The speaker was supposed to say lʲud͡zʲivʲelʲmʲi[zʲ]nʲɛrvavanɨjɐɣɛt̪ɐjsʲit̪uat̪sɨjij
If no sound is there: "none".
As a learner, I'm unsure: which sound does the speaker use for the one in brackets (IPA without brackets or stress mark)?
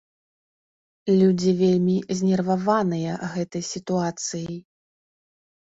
zʲ